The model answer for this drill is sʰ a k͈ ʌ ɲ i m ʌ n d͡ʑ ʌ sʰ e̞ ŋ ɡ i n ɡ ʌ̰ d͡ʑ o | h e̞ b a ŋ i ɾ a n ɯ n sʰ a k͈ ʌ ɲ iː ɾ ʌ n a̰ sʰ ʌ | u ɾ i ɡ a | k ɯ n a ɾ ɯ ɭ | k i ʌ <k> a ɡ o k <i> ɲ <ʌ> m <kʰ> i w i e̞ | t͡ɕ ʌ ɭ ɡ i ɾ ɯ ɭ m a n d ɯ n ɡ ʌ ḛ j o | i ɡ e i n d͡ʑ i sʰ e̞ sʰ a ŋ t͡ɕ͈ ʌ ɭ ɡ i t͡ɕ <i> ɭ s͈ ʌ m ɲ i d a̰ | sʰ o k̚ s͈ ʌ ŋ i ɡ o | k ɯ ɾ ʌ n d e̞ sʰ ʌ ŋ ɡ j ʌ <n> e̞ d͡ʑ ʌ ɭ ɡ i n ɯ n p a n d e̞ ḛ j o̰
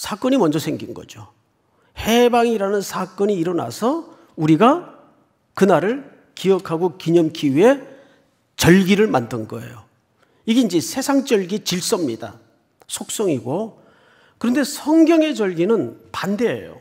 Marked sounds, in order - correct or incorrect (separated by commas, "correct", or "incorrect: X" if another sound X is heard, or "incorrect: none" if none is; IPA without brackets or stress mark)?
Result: incorrect: kʰ, correct, correct, correct, correct, incorrect: ŋ